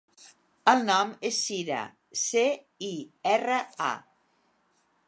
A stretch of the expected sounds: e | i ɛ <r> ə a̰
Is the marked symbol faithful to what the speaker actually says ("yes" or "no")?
yes